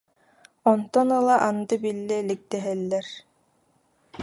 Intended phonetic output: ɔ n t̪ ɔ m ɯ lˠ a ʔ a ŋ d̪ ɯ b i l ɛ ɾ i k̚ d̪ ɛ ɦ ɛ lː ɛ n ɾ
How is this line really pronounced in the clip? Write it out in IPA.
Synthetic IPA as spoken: ɔ n t̪ ɔ n ɯ lˠ a ʔ a n d̪ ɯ b i lː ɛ l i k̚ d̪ ɛ ɦ ɛ lː ɛ ɾ